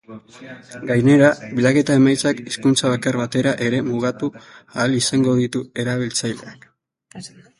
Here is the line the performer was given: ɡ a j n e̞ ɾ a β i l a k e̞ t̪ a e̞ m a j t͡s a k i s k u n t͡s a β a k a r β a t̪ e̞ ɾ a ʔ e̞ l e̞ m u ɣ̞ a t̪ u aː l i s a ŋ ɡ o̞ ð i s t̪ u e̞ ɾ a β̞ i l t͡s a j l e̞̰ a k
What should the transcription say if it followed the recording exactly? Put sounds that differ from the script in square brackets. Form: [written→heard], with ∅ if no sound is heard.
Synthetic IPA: ɡ a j n e̞ ɾ a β i l a k e̞ t̪ a e̞ m a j t͡s a k i s k u n t͡s a β a k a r β a t̪ e̞ ɾ a ʔ e̞ [l→ɾ] e̞ m u ɣ̞ a t̪ u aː l i s a ŋ ɡ o̞ ð i [s→∅] t̪ u e̞ ɾ a β̞ i l t͡s a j l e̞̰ a k